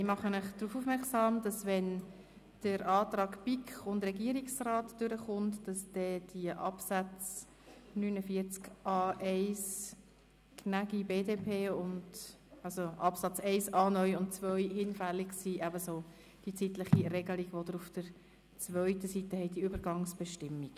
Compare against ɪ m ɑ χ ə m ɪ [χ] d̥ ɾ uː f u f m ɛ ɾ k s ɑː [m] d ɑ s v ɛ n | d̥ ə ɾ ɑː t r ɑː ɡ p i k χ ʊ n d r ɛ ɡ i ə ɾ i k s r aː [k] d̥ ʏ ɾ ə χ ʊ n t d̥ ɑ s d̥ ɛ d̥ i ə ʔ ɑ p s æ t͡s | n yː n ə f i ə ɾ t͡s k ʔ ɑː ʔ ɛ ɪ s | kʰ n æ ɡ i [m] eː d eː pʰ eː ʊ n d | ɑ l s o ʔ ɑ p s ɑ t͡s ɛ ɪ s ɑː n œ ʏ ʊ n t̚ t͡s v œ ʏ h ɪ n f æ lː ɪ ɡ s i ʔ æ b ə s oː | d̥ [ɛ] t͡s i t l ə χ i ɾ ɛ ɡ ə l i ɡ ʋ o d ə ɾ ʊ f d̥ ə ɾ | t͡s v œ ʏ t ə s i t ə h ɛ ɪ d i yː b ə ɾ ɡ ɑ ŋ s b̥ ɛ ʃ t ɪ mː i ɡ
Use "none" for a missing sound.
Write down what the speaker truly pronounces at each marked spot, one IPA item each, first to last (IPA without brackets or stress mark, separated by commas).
χ, m, t, b, i